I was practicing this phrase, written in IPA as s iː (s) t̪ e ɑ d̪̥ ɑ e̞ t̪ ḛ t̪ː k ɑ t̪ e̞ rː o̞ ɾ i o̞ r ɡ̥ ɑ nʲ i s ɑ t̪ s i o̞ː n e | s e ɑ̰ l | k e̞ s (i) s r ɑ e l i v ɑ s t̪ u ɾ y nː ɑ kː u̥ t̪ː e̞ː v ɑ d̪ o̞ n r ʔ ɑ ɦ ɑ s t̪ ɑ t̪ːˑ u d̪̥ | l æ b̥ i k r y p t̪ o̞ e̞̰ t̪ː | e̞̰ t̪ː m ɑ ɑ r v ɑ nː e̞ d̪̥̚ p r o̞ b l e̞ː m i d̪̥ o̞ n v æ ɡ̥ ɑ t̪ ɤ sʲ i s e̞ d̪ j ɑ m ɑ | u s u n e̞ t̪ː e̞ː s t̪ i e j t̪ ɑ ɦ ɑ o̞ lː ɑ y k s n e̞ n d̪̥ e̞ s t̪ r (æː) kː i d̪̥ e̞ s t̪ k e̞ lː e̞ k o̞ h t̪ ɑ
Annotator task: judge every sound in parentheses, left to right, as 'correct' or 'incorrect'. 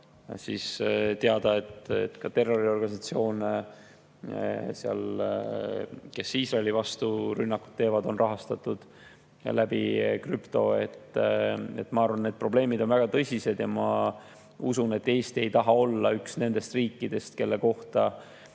correct, incorrect: iː, incorrect: iː

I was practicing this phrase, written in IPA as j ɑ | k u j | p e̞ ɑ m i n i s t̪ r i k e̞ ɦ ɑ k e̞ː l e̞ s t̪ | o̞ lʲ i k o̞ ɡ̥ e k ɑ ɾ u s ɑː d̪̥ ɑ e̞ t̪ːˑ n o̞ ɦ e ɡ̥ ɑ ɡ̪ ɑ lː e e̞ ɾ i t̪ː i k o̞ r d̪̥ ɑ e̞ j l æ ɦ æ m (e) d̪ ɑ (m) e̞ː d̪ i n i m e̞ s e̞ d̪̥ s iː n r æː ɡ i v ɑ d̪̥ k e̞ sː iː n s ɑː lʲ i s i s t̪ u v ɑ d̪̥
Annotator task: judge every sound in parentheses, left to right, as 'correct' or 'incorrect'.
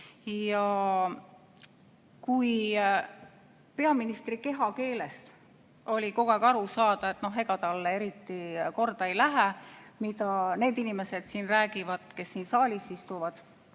incorrect: i, incorrect: n

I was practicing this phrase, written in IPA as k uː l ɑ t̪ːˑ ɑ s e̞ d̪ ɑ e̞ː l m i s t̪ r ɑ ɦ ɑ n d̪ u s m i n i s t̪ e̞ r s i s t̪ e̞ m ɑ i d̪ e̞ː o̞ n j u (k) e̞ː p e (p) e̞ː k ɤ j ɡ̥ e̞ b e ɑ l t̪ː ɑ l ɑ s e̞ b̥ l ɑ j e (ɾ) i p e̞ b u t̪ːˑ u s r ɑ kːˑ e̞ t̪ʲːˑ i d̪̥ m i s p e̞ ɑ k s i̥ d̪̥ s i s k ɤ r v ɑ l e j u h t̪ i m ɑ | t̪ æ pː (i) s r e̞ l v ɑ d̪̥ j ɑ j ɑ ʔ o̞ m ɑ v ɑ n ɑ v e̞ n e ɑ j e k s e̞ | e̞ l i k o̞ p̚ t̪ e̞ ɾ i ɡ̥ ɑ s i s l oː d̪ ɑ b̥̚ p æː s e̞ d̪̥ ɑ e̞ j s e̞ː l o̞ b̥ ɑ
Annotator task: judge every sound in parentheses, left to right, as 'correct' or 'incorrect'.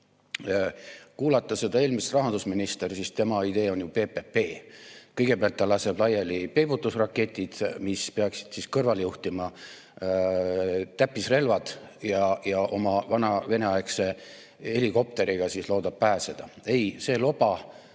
incorrect: p, correct, incorrect: l, correct

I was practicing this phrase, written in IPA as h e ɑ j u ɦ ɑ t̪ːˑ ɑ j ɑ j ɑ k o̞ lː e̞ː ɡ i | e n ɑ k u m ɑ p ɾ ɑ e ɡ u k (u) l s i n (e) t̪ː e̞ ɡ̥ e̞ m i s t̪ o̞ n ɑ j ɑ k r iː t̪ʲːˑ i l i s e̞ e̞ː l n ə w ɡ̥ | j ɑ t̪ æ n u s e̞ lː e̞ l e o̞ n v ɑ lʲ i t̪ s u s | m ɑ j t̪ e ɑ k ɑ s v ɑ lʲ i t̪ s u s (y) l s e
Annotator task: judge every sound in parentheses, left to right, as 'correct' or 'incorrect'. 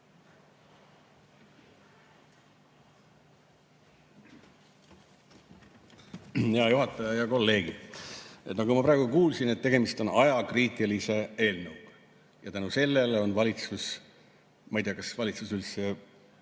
incorrect: uː, correct, correct

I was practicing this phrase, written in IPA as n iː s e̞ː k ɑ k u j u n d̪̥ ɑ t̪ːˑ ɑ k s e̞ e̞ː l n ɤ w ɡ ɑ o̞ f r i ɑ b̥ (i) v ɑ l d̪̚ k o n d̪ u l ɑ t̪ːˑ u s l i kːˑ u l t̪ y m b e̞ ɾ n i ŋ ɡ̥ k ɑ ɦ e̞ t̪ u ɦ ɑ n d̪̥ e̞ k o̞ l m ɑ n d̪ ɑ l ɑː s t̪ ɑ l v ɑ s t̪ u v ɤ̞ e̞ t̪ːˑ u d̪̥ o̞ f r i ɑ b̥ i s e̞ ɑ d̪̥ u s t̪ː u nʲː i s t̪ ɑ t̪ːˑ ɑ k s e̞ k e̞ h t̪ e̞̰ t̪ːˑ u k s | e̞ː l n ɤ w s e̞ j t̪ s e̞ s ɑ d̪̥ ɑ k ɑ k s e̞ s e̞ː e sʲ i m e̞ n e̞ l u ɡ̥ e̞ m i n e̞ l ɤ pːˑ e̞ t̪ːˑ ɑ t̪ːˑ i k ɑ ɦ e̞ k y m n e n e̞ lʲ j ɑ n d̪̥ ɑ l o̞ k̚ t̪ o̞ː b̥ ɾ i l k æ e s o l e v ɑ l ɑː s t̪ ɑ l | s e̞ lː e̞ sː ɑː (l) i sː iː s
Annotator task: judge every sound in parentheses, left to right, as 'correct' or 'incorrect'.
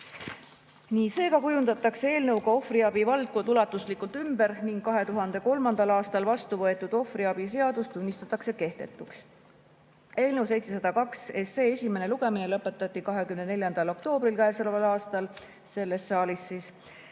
correct, correct

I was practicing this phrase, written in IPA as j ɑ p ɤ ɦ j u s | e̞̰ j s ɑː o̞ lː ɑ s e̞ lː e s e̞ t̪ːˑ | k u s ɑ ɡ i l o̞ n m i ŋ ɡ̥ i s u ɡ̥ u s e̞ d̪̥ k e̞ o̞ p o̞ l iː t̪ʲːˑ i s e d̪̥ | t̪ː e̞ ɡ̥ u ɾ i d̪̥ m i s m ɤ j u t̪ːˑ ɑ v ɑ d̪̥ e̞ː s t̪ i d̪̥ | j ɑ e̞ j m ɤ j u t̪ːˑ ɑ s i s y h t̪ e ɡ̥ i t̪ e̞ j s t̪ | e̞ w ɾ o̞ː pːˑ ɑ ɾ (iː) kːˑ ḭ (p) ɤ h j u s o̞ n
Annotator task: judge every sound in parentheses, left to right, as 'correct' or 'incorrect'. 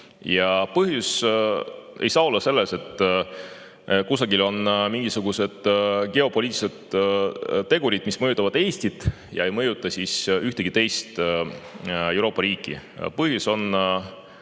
correct, correct

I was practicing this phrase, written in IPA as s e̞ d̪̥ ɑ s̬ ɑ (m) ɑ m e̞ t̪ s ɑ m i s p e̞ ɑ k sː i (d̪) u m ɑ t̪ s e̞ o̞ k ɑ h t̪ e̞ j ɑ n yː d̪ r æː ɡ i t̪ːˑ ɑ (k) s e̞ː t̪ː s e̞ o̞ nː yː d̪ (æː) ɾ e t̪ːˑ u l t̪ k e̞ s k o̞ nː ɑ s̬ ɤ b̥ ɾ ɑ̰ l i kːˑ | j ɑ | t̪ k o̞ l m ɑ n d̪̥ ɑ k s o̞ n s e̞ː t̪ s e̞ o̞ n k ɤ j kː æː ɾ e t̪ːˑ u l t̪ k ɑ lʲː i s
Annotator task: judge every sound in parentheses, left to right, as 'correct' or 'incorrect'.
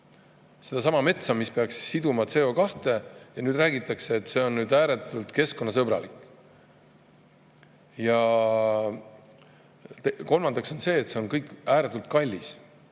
correct, correct, correct, correct

